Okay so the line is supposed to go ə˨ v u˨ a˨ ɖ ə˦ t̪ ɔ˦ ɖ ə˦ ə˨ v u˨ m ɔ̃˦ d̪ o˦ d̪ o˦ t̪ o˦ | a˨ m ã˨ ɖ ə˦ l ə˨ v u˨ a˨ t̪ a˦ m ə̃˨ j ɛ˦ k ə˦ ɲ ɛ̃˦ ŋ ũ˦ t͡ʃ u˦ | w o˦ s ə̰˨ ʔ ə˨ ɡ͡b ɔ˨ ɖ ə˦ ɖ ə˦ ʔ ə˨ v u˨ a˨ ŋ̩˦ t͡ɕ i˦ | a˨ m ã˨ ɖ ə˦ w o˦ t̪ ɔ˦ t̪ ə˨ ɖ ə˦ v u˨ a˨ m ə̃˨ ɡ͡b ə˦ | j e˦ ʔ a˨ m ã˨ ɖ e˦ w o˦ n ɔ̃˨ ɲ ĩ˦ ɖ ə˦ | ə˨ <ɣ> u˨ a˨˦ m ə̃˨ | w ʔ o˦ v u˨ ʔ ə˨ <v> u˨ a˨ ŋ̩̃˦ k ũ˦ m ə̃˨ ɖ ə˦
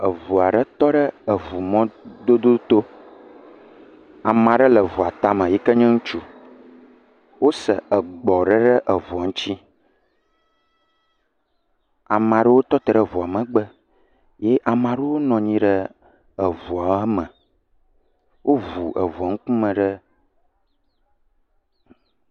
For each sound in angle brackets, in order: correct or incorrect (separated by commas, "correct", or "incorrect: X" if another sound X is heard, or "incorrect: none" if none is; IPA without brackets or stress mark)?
incorrect: v, correct